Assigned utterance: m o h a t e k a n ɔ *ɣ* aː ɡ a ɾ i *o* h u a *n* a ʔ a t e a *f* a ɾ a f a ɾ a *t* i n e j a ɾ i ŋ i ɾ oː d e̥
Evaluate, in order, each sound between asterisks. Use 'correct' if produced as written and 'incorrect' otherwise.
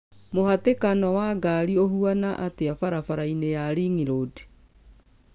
incorrect: w, correct, correct, correct, incorrect: none

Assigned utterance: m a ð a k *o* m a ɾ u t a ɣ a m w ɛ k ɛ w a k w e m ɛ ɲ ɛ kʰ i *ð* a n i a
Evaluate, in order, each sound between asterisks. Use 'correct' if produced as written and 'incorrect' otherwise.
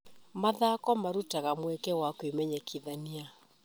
incorrect: ɔ, correct

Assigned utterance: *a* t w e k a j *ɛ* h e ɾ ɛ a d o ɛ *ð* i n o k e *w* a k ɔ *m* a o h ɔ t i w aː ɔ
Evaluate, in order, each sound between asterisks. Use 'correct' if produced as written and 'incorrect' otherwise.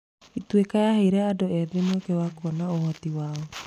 incorrect: i, incorrect: a, correct, correct, incorrect: n

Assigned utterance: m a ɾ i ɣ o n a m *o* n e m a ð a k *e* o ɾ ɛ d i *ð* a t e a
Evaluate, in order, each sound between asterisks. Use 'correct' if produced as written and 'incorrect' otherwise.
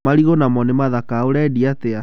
incorrect: ɔ, incorrect: a, incorrect: none

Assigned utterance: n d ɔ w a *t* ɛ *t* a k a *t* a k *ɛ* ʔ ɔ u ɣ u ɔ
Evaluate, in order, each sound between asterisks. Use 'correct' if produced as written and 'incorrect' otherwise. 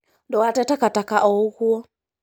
correct, correct, correct, incorrect: a

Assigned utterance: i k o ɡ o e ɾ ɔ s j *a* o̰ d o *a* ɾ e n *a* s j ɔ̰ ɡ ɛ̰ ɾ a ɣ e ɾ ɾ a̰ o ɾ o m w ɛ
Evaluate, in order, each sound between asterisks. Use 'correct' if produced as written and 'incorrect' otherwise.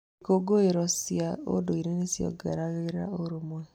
correct, incorrect: i, incorrect: e

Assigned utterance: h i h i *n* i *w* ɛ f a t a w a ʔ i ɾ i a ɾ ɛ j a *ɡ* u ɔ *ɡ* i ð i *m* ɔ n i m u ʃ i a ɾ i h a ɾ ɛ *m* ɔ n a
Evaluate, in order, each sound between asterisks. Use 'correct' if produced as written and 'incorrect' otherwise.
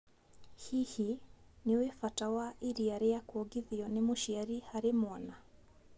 correct, correct, incorrect: k, correct, incorrect: none, correct

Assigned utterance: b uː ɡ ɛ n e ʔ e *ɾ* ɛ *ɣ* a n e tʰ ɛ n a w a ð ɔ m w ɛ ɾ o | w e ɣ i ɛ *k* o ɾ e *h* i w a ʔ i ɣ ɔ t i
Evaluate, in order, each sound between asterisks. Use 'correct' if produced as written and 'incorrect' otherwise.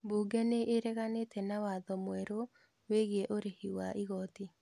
correct, correct, incorrect: ʔ, correct

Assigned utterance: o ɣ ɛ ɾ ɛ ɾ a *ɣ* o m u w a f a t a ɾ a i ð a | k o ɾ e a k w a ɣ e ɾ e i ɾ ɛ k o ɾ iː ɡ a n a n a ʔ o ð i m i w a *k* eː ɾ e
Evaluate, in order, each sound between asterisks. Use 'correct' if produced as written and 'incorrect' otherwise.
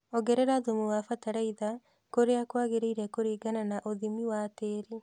incorrect: ð, incorrect: t

